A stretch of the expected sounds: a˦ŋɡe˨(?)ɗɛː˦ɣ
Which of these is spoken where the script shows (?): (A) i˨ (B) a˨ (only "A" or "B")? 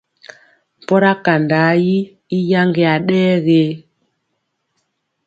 B